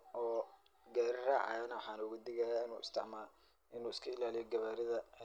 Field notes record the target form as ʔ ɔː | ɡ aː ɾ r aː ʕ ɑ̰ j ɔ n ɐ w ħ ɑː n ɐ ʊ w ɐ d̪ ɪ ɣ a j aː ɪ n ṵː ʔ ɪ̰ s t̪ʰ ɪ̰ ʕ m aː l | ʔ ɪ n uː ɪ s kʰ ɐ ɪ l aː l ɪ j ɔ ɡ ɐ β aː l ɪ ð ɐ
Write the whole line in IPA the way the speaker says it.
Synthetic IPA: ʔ ɔː | ɡ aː ɾ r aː ʕ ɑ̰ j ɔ n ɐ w ħ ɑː n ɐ ʊ ɣ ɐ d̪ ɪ ɣ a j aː ɪ n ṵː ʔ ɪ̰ s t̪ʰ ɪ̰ ʕ m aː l | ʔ ɪ n uː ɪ s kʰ ɐ ɪ l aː l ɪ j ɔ ɡ ɐ β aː ɾ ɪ ð ɐ